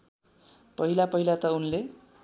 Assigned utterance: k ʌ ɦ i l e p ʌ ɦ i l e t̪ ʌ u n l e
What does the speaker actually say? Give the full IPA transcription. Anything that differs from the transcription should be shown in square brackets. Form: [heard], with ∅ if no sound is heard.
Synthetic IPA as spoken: [p] ʌ ɦ i l [a] p ʌ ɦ i l [a] t̪ ʌ u n l e